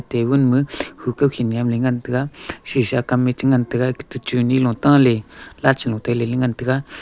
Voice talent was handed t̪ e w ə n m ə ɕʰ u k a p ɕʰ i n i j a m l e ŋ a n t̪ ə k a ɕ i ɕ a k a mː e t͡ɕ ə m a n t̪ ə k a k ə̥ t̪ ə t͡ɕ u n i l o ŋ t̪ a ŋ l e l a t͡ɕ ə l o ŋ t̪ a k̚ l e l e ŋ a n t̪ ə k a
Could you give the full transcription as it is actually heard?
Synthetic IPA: t̪ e w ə n m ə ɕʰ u k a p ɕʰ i n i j a m l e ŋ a n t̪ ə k a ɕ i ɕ a k a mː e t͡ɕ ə ŋ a n t̪ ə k a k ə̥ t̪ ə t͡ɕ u n i l o ŋ t̪ a ŋ l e l a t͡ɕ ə l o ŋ t̪ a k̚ l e l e ŋ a n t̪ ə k a